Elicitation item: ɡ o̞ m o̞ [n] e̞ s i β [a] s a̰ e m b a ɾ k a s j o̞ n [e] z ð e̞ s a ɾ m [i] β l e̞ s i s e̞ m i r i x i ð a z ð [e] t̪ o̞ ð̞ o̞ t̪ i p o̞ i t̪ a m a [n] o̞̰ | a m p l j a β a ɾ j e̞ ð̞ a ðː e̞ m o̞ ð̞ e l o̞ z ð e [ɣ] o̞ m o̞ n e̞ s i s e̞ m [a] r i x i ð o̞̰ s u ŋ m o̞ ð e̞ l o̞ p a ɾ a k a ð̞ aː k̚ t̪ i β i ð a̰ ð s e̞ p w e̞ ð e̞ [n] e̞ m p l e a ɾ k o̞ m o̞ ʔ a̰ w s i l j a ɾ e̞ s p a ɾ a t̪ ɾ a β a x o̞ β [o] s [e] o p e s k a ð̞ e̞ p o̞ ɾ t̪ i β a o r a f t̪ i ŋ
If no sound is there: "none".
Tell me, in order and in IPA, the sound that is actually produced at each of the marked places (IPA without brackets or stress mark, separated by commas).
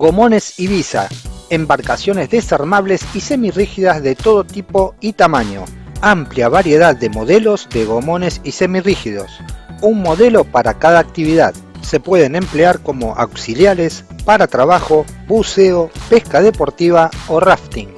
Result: n, i, e, a, e, ɲ, ɣ, i, n, u, e